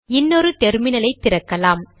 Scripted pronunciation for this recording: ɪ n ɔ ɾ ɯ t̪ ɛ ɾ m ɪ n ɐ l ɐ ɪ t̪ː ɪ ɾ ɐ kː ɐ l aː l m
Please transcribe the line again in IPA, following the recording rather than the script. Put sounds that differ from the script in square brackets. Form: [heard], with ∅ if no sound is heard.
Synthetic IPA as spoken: ɪ [nː] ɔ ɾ ɯ t̪ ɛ ɾ m ɪ n ɐ l ɐ ɪ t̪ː ɪ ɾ ɐ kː ɐ l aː [∅] m